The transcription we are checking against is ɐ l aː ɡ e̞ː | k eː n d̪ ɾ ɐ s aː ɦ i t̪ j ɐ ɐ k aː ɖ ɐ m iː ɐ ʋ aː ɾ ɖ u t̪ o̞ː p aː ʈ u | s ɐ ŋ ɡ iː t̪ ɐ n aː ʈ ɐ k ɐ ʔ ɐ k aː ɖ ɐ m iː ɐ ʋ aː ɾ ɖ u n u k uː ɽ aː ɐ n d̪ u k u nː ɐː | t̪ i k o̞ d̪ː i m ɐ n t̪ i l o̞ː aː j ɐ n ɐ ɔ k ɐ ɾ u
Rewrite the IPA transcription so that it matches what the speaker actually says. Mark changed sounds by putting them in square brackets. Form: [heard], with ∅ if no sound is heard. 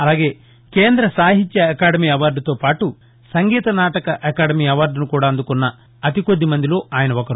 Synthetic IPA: ɐ l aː ɡ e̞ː | k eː n d̪ ɾ ɐ s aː ɦ i t̪ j ɐ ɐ k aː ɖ ɐ m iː ɐ ʋ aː ɾ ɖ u t̪ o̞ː p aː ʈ u | s ɐ ŋ ɡ iː t̪ ɐ n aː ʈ ɐ k ɐ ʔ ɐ k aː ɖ ɐ m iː ɐ ʋ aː ɾ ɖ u n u k uː ɽ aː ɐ n d̪ u k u nː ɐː | t̪ i k o̞ d̪ː i m ɐ n [d̪] i l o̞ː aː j ɐ n ɐ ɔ k ɐ ɾ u